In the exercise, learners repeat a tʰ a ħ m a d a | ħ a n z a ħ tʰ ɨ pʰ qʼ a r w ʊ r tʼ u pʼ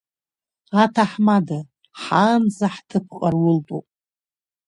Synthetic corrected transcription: a tʰ a ħ m a d a | ħ a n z a ħ tʰ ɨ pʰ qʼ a r w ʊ l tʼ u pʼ